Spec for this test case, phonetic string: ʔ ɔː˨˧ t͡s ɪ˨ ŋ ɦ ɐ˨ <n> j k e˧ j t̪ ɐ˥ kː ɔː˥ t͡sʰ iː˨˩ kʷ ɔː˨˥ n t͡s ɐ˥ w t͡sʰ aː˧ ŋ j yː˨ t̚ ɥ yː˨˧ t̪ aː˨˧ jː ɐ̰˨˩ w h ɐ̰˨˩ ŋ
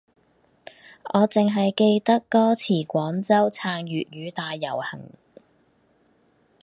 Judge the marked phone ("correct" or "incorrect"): incorrect